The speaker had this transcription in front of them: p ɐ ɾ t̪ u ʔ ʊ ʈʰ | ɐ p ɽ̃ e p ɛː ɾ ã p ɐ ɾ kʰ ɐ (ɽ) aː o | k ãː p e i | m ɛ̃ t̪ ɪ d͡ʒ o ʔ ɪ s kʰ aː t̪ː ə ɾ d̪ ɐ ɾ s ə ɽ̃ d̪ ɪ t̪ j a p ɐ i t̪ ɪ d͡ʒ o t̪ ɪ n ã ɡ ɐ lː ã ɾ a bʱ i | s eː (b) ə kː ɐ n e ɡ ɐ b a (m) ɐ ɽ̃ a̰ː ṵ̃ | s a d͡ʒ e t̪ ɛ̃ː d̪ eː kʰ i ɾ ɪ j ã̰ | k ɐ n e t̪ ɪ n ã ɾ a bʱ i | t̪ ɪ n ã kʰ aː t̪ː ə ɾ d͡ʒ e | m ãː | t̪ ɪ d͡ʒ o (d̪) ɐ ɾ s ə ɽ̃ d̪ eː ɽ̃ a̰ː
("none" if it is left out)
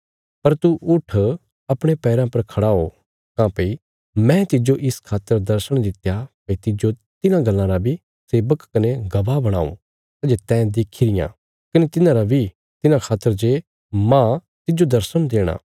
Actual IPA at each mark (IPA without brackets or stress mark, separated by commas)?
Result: ɽ, b, b, d̪